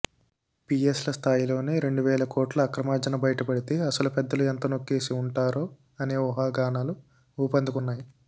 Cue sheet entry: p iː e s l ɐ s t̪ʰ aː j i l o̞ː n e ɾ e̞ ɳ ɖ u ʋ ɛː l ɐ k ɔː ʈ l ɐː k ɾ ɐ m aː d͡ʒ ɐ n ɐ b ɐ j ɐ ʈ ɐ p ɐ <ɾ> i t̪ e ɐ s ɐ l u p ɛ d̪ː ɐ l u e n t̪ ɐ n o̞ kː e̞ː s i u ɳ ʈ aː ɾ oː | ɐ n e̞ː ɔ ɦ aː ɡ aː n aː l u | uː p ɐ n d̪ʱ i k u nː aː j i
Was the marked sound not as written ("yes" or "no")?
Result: yes